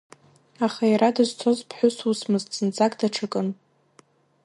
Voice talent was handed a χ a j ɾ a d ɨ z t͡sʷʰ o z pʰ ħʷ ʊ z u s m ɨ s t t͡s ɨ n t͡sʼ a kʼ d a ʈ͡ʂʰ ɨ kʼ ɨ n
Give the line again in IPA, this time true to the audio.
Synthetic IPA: a χ a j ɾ a d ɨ z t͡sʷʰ o z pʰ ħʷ ʊ s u s m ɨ z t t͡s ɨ n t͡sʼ a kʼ d a ʈ͡ʂʰ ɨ kʼ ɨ n

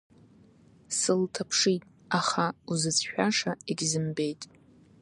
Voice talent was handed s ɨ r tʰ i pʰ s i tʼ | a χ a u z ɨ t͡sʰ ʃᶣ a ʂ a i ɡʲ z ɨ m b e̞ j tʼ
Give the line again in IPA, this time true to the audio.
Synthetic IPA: s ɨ l tʰ a pʰ ʂ i tʼ | a χ a u z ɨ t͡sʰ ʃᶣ a ʂ a i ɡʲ z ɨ m b e̞ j tʼ

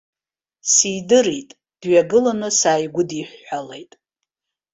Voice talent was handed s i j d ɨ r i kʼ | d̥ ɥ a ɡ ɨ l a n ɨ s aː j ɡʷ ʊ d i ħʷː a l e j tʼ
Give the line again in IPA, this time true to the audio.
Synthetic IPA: s i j d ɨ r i tʼ | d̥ ɥ a ɡ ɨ l a n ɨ s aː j ɡʷ ʊ d i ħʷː a l e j tʼ

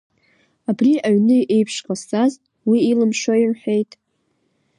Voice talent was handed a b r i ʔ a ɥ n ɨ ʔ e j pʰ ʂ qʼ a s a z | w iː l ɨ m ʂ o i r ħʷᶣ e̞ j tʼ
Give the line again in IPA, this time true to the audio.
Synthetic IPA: a b r i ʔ a ɥ n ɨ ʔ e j pʰ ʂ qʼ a s a z | w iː l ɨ m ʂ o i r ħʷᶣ e̞ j tʼ

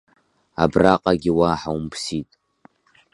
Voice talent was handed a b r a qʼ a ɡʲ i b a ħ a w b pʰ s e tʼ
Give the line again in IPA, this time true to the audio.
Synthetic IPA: a b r a qʼ a ɡʲ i w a ħ a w m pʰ s i tʼ

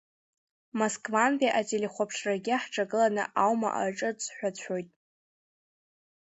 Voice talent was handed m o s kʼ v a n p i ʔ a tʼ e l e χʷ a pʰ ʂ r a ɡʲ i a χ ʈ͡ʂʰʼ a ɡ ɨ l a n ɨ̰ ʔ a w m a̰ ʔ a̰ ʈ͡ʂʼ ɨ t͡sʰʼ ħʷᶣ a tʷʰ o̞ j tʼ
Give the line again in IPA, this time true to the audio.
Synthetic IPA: m o s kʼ v a n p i ʔ a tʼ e l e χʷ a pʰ ʂ r a ɡʲ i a ħ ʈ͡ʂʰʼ a ɡ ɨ l a n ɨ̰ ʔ a w m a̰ ʔ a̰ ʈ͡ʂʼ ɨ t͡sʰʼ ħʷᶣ a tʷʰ o̞ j tʼ

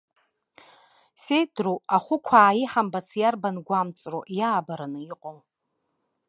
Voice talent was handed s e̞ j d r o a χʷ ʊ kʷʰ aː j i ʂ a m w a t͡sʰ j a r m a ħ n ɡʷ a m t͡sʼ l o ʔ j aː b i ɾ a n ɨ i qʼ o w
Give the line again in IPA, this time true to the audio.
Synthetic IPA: s e̞ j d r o a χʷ ʊ kʷʰ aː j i ħ a m b a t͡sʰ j a r b a n ɡʷ a m t͡sʼ r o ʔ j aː b a ɾ a n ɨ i qʼ o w

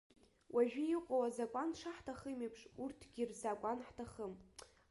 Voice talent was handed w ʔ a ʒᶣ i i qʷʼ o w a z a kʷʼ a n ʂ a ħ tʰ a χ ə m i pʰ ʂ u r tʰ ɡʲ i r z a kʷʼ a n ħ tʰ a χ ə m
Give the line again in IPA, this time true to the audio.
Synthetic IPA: w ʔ a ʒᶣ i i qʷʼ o w a z a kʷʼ a n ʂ a ħ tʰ a χ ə m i pʰ ʂ u r tʰ ɡʲ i r z a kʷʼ a n ħ tʰ a χ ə m

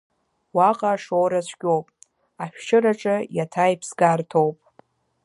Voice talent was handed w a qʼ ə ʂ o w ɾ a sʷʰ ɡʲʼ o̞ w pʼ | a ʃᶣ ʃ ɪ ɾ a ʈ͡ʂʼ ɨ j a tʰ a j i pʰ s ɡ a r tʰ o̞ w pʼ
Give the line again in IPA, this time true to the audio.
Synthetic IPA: w a qʼ a ʂ o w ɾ a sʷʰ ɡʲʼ o̞ w pʼ | a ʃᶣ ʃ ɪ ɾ a ʈ͡ʂʼ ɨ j a tʰ a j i pʰ s ɡ a r tʰ o̞ w pʼ

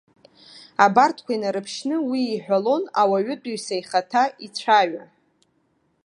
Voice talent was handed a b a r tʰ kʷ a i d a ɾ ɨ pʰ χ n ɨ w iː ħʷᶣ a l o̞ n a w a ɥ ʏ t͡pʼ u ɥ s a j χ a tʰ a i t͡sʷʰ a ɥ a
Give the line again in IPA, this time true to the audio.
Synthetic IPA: a b a r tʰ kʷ a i n a ɾ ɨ pʰ ʃ n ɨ w iː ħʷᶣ a l o̞ n a w a ɥ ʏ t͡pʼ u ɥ s a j χ a tʰ a i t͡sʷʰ a ɥ a

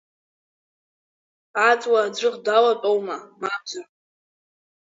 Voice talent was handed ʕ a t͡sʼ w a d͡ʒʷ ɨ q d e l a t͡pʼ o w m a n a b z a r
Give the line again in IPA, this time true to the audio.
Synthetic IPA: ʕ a t͡sʼ w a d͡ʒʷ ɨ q d a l a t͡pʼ o w m a m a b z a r

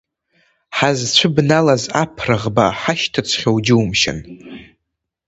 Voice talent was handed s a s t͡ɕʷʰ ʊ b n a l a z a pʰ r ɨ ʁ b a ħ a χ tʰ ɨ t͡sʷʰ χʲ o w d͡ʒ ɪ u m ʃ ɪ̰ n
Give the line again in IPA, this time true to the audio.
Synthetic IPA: ħ a z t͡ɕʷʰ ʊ b n a l a z a pʰ r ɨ ʁ b a ħ a ʃ tʰ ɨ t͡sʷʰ χʲ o w d͡ʒ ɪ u m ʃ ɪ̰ n

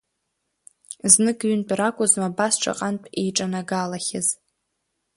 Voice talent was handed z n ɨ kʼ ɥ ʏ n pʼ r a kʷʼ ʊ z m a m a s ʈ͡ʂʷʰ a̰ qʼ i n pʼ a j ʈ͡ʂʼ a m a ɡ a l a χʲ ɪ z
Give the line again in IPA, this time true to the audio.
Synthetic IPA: z n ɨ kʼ ɥ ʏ n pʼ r a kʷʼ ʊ z m a b a s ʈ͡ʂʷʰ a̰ qʼ a n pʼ e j ʈ͡ʂʼ a n a ɡ a l a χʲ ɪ z

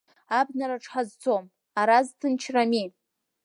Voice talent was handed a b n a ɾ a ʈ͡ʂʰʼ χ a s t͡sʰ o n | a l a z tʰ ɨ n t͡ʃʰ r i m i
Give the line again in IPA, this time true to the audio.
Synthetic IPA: a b n a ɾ a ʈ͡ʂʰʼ ħ a z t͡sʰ o m | a ɾ a z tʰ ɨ n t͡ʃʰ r a m i

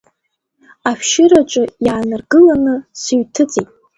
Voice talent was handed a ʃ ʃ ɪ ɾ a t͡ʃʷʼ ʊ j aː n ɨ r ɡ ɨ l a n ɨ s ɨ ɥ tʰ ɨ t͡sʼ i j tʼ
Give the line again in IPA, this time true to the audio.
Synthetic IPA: a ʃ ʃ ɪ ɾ a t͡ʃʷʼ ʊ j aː n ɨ r ɡ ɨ l a n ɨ s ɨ ɥ tʰ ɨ t͡sʼ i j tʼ

